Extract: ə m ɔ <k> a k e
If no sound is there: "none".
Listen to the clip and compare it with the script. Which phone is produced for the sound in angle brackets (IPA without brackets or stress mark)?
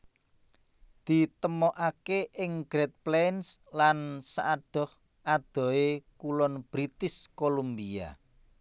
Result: ʔ